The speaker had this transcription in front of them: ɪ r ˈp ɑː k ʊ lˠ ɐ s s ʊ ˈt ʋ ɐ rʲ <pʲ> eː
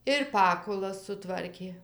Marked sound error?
yes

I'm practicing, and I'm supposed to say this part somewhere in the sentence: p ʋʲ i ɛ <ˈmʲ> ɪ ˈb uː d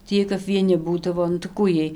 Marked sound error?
yes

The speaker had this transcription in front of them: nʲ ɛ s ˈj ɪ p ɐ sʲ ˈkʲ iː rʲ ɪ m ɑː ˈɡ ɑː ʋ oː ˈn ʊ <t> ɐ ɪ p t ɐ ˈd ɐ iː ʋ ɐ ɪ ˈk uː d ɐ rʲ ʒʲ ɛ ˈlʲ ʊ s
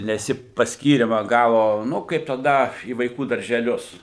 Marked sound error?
yes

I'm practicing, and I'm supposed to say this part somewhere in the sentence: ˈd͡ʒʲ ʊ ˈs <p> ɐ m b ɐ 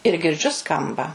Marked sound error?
yes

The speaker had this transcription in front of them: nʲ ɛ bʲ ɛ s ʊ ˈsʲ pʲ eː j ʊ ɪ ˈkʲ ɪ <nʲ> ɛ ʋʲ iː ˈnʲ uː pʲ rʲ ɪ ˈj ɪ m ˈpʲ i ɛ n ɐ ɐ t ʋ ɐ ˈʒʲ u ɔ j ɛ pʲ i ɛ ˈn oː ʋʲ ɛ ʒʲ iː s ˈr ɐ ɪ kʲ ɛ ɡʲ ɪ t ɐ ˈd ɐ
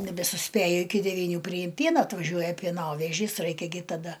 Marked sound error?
yes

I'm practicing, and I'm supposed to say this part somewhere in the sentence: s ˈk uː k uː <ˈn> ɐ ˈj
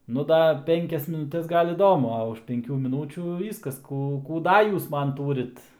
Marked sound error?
yes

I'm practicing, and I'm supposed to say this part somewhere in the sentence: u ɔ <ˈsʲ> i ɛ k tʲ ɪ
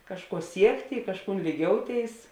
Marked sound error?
no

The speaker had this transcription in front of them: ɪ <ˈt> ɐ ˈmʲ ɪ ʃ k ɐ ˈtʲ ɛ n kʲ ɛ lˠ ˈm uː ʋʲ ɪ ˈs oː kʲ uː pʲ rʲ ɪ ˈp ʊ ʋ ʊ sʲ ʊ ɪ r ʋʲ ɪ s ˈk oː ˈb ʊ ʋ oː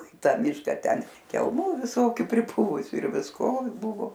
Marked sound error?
no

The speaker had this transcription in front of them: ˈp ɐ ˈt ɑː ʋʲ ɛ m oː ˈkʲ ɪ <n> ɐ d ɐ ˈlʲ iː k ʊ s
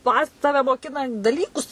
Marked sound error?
no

